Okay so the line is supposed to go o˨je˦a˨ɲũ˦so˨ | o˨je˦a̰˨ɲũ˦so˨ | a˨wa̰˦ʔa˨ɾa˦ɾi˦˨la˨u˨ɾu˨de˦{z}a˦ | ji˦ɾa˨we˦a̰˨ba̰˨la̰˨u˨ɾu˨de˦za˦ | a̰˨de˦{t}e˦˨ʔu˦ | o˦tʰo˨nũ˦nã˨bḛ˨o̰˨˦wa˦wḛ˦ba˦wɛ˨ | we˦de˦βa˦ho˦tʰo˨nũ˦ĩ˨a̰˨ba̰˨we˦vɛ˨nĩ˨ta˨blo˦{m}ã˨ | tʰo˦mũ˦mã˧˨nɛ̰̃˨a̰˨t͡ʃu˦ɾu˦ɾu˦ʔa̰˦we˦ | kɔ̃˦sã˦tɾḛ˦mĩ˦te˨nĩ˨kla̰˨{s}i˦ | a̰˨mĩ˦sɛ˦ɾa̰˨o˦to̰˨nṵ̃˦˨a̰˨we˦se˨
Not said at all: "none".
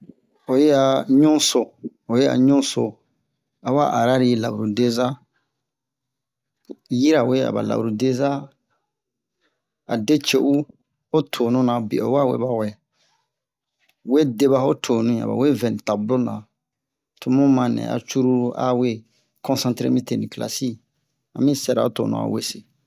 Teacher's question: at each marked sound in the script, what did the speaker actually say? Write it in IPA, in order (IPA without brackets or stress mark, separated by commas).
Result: z, t͡ʃ, n, s